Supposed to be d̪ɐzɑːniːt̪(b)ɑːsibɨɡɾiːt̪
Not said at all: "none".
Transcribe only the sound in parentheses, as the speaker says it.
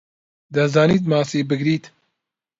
m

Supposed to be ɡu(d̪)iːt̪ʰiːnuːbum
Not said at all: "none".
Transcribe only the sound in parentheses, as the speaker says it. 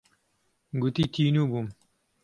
t̪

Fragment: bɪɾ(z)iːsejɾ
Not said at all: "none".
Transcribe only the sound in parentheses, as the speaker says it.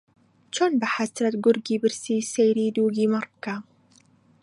s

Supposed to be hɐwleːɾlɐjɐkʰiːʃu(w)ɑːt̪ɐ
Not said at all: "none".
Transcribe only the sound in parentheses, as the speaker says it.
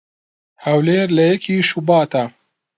b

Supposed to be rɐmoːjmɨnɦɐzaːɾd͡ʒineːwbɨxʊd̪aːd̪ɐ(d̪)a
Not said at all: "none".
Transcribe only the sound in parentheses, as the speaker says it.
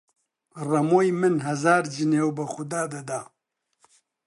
d̪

